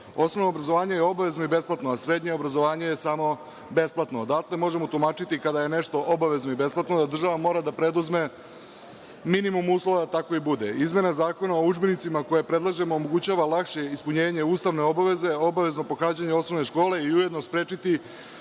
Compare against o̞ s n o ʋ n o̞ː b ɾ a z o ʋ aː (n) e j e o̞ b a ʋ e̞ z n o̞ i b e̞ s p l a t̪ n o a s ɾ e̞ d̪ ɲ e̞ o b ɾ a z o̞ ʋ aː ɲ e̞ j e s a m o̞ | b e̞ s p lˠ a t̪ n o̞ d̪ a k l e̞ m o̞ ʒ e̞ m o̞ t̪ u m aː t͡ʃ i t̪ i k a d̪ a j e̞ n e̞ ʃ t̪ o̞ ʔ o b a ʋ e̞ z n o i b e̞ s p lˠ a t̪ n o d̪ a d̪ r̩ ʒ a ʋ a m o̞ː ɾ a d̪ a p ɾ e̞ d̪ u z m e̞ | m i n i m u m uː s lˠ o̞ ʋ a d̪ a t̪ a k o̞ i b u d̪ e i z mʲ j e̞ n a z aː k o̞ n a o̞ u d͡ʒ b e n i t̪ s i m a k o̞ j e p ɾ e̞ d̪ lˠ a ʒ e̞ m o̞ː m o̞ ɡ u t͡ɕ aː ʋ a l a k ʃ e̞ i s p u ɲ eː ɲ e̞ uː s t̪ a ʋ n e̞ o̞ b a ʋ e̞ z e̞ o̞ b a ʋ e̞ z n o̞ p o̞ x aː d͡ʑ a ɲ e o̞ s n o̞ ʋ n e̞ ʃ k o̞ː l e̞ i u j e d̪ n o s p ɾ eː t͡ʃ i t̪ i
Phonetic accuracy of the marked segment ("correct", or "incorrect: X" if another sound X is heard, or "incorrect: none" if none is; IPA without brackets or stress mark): incorrect: ɲ